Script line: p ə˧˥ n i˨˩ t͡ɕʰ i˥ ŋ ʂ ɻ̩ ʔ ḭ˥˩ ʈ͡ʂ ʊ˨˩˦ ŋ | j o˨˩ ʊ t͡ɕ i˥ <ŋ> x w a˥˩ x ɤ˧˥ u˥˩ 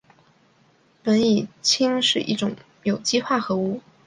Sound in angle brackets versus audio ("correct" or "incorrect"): incorrect